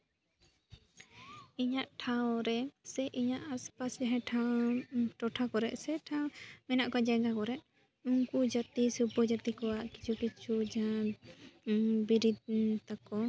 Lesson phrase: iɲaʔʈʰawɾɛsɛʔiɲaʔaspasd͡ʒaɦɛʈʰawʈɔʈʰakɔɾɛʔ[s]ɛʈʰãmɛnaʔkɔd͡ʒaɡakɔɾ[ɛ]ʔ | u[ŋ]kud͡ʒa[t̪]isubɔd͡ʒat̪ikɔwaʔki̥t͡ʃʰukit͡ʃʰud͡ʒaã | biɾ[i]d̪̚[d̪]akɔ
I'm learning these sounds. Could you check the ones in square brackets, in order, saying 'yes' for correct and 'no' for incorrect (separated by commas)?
yes, yes, yes, yes, yes, no